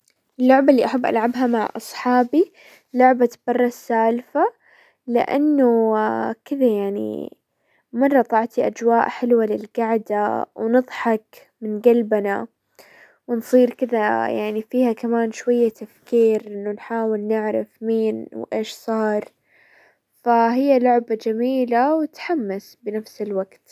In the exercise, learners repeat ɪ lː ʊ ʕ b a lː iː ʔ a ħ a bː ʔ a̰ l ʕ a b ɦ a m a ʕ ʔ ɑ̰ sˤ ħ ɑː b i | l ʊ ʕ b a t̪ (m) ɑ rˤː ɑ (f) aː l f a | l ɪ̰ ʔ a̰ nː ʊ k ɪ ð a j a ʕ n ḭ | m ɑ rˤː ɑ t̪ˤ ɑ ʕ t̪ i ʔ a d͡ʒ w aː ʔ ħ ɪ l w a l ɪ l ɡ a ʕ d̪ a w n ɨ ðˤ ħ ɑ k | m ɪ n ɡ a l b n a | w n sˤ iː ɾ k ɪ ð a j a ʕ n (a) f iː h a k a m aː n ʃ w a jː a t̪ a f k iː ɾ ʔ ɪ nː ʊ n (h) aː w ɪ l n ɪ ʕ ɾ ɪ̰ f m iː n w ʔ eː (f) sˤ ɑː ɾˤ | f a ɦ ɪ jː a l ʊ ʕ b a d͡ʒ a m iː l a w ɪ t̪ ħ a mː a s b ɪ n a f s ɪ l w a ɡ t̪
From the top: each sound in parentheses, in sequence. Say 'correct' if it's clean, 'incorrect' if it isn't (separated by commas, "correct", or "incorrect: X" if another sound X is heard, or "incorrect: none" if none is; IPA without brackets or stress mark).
incorrect: b, incorrect: s, incorrect: i, incorrect: ħ, incorrect: ʃ